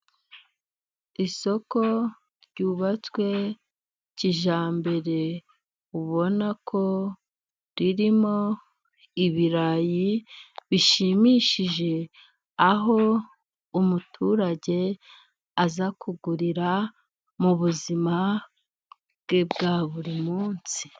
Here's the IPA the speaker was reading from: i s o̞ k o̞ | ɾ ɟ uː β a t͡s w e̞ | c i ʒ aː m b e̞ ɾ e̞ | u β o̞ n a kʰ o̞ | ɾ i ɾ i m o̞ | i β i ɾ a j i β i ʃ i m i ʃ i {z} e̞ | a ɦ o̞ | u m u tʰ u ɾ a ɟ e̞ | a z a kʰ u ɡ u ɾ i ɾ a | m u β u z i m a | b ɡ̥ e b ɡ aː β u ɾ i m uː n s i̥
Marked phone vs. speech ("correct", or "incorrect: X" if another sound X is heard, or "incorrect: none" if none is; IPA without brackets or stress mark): incorrect: ʒ